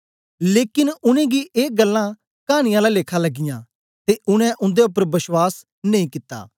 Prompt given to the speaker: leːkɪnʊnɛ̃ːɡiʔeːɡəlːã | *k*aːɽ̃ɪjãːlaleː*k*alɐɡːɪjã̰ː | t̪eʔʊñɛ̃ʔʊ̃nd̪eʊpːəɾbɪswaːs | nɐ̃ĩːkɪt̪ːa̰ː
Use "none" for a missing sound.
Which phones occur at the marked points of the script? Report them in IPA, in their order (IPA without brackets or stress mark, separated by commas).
k, kʰ